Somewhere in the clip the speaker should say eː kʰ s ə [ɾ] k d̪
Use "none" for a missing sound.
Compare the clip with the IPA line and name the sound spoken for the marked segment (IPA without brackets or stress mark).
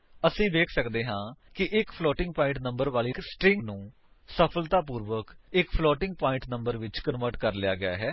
none